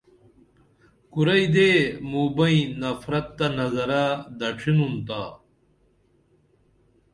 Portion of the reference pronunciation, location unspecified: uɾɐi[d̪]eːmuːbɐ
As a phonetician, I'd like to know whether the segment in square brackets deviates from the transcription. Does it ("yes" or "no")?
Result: no